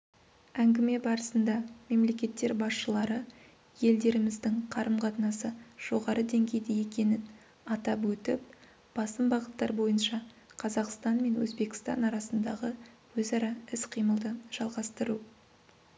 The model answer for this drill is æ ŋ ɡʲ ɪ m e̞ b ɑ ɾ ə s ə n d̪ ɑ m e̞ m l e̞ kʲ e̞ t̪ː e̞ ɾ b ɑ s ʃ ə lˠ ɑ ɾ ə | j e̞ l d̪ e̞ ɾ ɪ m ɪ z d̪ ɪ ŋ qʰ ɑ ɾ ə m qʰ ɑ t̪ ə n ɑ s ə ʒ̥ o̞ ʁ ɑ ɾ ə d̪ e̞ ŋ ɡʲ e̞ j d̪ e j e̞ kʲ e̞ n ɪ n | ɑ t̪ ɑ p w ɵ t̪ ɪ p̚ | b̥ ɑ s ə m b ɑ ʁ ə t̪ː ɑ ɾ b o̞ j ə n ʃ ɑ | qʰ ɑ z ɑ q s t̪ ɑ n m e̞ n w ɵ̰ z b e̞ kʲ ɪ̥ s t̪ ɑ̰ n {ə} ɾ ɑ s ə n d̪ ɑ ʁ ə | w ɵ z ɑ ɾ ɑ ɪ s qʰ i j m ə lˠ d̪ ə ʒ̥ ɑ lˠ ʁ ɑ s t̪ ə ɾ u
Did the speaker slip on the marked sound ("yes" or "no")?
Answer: yes